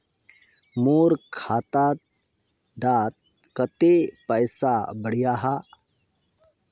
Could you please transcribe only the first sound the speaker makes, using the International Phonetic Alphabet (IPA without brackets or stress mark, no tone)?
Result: m